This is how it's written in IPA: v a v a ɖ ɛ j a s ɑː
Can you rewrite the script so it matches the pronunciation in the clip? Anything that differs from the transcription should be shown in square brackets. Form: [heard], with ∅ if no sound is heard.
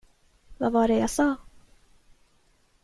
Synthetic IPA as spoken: v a v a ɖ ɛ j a s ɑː

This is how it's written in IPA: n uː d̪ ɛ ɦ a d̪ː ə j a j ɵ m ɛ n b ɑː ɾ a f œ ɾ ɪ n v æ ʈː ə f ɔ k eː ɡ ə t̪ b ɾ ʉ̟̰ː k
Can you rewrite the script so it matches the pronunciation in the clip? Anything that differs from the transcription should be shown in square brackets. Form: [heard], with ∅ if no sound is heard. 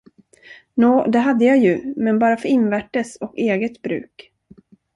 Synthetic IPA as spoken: n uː d̪ ɛ ɦ a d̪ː ə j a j ɵ m ɛ n b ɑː ɾ a f œ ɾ ɪ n v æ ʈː ə [s] ɔ k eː ɡ ə t̪ b ɾ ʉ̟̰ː k

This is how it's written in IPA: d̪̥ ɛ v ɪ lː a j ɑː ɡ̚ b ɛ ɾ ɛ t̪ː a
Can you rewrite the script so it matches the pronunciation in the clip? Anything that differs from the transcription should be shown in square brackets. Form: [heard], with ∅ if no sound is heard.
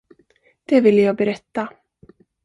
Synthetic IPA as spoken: d̪̥ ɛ v ɪ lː [ə] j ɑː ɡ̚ b ɛ ɾ ɛ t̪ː a

